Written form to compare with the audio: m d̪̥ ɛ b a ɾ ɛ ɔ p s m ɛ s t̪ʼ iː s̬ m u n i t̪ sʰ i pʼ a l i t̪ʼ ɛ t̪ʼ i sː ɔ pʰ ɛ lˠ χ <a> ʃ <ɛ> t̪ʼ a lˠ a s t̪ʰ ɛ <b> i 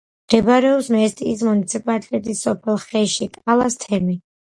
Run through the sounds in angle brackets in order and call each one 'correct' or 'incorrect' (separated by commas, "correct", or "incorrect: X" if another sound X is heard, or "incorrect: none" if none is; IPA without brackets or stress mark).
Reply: incorrect: ɛ, incorrect: i, incorrect: m